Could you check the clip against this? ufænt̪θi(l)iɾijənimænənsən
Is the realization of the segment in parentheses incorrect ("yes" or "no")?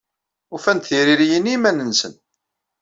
yes